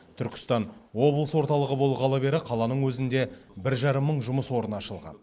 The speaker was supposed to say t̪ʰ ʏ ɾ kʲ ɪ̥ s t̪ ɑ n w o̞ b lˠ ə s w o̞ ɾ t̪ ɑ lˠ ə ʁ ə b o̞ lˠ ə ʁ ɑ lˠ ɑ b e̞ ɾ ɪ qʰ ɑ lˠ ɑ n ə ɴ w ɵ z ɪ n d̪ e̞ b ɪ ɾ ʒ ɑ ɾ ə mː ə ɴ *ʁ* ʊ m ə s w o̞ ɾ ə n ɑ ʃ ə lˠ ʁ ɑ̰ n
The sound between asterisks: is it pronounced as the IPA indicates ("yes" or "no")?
no